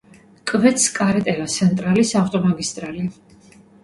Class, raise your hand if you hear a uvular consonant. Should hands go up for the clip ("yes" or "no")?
no